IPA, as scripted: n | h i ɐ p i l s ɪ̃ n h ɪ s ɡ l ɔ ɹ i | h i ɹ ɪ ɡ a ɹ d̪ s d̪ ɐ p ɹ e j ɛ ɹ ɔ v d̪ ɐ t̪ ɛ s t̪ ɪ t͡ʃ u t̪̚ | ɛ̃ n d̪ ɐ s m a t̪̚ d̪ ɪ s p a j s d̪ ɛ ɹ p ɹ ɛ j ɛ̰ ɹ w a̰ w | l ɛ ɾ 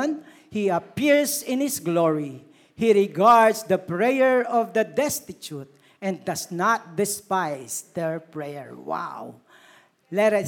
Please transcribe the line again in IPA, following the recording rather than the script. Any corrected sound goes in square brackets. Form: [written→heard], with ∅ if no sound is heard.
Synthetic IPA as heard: n | h i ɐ p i [l→ɹ] s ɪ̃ n h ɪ s ɡ l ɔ ɹ i | h i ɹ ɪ ɡ a ɹ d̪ s d̪ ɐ p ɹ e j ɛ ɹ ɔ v d̪ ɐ [t̪→d̪] ɛ s t̪ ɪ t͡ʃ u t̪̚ | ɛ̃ n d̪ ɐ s [m→n] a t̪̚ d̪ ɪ s p a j s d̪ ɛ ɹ p ɹ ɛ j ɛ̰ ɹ w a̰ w | l ɛ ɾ